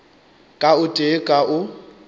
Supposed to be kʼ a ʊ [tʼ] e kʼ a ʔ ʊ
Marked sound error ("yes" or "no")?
no